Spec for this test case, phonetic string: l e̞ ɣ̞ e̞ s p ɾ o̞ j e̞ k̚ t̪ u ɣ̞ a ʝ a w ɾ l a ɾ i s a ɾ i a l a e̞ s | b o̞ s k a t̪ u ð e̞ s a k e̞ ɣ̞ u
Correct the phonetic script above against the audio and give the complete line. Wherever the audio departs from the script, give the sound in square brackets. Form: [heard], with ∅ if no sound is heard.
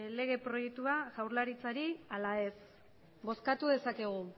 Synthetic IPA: l e̞ ɣ̞ e̞ [∅] p ɾ o̞ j e̞ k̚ t̪ u [∅] a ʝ a w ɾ l a ɾ i [t͡s] a ɾ i a l a e̞ s | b o̞ s k a t̪ u ð e̞ s a k e̞ ɣ̞ u

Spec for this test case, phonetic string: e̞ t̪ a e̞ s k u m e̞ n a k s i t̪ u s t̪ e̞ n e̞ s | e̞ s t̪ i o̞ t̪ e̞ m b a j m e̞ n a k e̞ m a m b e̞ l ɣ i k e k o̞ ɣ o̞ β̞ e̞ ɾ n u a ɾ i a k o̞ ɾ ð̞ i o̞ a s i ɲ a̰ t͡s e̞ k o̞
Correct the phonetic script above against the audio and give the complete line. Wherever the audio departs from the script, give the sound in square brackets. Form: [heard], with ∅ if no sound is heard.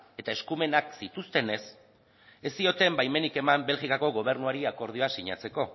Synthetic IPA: e̞ t̪ a e̞ s k u m e̞ n a k s i t̪ u s t̪ e̞ n e̞ s | e̞ s t̪ i o̞ t̪ e̞ m b a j m e̞ n [i] k e̞ m a m b e̞ l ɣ i k [a] k o̞ ɣ o̞ β̞ e̞ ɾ n u a ɾ i a k o̞ ɾ ð̞ i o̞ a s i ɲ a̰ t͡s e̞ k o̞

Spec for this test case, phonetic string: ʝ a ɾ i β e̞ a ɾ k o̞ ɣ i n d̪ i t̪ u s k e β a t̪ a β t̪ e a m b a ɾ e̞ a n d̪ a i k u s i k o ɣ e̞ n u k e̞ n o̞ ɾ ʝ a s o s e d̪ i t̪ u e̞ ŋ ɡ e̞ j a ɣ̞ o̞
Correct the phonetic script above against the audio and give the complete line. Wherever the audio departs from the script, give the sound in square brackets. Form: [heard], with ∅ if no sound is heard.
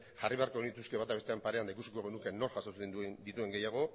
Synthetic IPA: ʝ a [r] i β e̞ a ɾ k o̞ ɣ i n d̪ i t̪ u s k e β a t̪ a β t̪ e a m [p] a ɾ e̞ a n d̪ a i k u s i k o ɣ e̞ n u k e̞ n o̞ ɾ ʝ a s o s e d̪ i t̪ u e̞ ŋ ɡ e̞ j a ɣ̞ o̞

